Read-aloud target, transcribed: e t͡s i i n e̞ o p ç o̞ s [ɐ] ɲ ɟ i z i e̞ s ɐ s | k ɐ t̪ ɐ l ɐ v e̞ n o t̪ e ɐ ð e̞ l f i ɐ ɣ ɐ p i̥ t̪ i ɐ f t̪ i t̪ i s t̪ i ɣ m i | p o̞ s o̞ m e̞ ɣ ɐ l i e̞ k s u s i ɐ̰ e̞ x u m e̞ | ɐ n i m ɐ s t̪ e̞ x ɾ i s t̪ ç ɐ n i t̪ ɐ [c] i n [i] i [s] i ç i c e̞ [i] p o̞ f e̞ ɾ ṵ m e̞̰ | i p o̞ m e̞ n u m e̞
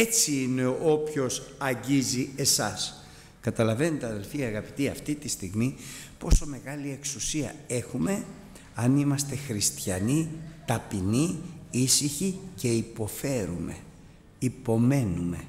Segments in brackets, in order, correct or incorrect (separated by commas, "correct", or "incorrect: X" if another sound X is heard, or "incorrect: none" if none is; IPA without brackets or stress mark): correct, incorrect: p, correct, correct, correct